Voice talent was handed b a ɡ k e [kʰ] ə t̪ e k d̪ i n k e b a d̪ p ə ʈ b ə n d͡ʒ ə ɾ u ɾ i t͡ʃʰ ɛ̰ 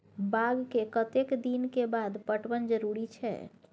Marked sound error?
yes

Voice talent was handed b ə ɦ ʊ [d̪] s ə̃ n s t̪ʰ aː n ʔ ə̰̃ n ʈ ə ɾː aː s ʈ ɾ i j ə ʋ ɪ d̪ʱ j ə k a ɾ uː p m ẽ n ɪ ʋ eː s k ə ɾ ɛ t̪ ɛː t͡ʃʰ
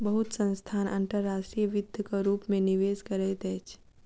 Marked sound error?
yes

